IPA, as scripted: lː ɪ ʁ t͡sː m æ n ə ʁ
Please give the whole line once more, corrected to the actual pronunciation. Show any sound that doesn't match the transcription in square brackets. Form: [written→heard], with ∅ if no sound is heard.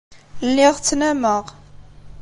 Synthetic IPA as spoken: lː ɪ ʁ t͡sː [m→n] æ [n→m] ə ʁ